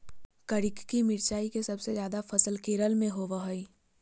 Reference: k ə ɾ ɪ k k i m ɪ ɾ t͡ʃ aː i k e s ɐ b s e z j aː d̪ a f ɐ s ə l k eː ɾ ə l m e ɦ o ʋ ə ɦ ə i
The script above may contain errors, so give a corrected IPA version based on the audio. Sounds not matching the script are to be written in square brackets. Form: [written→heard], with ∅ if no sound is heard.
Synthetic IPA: k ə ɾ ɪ k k i m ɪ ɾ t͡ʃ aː i k e s ɐ b s e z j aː d̪ a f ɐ s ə l k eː ɾ ə l m [e→ẽ] ɦ o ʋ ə ɦ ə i